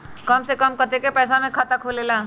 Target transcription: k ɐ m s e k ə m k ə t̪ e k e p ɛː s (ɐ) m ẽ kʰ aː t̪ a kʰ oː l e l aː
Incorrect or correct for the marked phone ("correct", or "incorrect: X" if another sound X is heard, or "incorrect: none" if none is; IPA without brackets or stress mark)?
incorrect: a